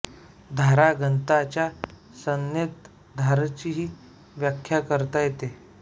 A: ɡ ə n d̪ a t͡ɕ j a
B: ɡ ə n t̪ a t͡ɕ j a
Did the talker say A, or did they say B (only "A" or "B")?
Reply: B